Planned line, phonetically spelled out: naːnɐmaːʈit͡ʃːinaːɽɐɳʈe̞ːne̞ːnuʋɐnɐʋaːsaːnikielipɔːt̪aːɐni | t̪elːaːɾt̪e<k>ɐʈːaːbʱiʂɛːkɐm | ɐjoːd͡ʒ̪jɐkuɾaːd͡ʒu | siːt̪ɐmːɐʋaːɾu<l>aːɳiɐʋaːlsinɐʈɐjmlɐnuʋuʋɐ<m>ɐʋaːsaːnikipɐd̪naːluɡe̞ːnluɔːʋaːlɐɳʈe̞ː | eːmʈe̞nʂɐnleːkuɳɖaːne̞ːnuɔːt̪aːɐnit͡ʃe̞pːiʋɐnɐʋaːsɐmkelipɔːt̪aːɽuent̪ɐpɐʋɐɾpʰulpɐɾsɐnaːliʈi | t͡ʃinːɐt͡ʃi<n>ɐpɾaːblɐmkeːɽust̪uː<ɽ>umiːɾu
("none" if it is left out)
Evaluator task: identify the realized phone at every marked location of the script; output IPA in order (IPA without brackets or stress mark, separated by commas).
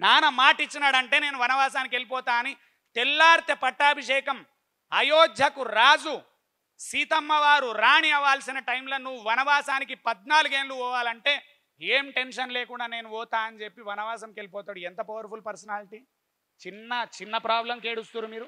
p, ɾ, n, nː, ɾ